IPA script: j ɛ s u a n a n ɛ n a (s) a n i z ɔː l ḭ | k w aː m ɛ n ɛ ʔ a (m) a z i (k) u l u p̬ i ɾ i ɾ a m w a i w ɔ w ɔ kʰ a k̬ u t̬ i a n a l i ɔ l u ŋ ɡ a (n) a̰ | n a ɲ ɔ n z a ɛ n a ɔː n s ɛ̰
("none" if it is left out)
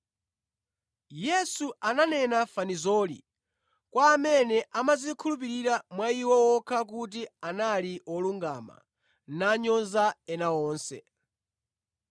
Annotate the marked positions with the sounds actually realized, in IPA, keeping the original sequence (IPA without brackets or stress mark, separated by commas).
f, m, kʰ, m